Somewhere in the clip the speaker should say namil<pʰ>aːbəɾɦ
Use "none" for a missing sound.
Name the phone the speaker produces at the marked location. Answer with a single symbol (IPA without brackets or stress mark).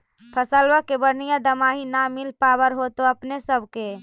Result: p